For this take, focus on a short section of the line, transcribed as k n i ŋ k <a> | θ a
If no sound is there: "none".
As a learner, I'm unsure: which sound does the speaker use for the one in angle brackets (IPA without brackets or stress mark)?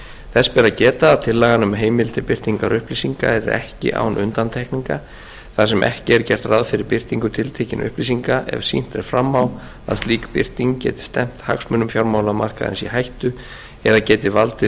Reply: a